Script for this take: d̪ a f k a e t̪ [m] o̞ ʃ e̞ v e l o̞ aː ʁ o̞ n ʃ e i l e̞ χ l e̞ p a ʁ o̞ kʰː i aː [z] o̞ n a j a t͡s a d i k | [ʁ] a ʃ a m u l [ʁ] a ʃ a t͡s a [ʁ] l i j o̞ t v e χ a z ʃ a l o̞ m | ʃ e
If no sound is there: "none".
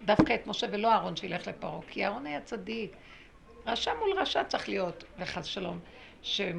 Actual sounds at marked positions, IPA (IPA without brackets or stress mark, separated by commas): m, ʁ, ʁ, ʁ, χ